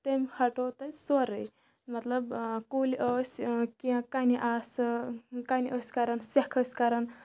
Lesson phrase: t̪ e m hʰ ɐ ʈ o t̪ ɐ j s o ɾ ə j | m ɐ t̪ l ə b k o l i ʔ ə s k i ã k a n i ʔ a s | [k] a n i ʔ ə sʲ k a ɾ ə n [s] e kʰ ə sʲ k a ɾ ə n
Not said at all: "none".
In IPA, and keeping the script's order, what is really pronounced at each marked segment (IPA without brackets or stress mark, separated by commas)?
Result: k, s